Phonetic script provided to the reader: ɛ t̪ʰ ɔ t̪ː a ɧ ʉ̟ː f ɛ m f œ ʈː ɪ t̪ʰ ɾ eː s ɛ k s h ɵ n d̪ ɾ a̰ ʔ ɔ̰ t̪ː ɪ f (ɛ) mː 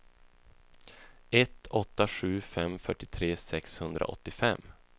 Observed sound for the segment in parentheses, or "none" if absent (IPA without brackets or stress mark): ɛ